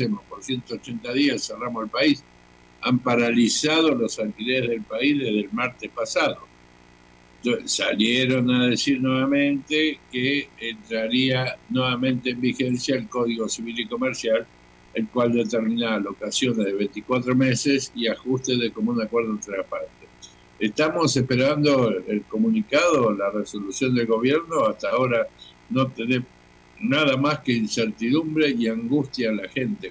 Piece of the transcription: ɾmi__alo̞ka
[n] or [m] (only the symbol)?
n